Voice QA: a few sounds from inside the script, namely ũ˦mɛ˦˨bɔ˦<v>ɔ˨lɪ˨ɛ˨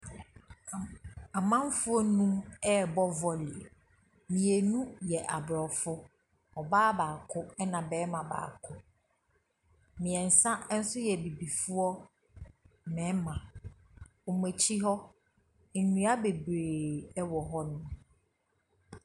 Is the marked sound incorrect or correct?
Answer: correct